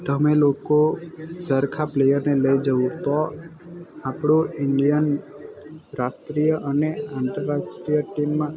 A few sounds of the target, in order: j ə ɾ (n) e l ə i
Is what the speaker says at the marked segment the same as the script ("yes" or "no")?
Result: yes